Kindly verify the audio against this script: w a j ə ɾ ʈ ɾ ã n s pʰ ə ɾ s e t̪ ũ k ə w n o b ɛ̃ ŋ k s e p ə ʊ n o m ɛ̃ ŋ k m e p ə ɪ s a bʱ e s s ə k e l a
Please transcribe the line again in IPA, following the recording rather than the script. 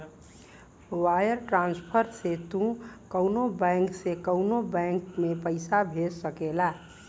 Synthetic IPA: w a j ə ɾ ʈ ɾ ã n s pʰ ə ɾ s e t̪ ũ k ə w n o b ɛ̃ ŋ k s e k ə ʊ n o b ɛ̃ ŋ k m e p ə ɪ s a bʱ e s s ə k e l a